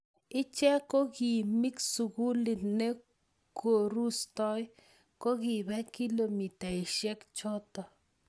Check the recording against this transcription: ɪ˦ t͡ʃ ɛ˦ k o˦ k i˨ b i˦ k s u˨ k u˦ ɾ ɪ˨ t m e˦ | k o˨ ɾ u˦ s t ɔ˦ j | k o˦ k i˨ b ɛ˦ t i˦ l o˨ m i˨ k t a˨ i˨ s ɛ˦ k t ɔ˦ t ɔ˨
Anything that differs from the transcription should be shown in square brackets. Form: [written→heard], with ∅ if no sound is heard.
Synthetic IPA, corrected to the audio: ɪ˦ t͡ʃ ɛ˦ k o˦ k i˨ [b→m] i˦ k s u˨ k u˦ [ɾ→l] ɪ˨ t [m→n] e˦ | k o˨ ɾ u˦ s t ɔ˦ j | k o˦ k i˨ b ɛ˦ [t→k] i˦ l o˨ m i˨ [k→∅] t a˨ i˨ [s→ʃ] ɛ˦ k [t→t͡ʃ] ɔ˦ t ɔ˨